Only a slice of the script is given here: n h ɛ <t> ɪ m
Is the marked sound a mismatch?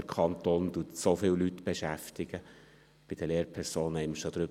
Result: yes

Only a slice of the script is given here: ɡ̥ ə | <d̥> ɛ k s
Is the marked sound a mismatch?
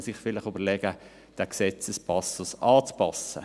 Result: no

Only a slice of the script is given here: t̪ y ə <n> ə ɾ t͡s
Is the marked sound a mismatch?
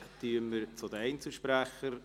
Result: yes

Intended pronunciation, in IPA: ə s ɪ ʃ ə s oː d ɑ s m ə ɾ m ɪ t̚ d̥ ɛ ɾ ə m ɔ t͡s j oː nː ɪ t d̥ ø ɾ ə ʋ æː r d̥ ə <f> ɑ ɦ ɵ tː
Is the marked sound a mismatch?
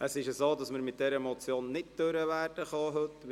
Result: yes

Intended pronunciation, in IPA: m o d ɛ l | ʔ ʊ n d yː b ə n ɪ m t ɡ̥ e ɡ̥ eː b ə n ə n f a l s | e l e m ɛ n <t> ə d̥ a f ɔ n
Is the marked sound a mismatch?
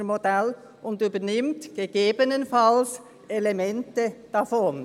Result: no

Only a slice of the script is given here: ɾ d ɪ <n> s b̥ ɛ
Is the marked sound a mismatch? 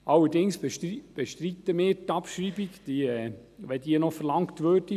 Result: yes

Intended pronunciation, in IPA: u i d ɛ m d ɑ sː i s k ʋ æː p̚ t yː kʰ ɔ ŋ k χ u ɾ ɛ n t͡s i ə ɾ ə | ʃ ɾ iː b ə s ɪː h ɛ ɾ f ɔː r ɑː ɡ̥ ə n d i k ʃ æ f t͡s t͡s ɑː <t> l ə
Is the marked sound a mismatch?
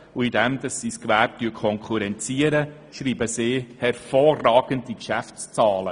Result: yes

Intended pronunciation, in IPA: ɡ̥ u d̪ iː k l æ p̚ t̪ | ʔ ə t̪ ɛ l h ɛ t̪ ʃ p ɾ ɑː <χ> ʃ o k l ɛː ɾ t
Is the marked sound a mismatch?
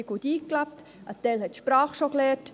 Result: no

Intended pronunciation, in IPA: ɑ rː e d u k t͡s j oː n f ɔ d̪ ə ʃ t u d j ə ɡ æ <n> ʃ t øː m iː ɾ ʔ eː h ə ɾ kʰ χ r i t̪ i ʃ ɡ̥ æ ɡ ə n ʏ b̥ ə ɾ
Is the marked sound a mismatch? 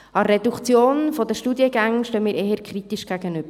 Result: yes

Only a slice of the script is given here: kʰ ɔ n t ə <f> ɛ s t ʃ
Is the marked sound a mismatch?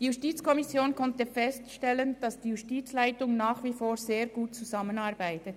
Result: no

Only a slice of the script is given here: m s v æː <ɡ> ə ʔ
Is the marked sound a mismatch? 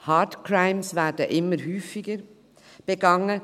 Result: yes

